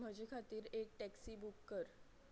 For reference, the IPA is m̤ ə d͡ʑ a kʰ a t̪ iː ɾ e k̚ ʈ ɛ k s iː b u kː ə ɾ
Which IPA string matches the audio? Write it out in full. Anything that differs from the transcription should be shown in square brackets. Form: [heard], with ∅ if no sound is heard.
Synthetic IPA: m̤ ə d͡ʑ [e] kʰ a t̪ iː ɾ e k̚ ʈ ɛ k s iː b u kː ə ɾ